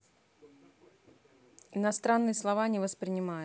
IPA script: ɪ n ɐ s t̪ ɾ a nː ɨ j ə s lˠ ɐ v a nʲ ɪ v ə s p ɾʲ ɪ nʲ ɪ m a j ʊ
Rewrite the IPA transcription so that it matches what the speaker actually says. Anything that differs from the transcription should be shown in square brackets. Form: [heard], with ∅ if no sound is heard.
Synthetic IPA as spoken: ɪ n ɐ s t̪ ɾ a nː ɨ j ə s lˠ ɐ v a nʲ ɪ v ə s p ɾʲ ɪ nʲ ɪ m a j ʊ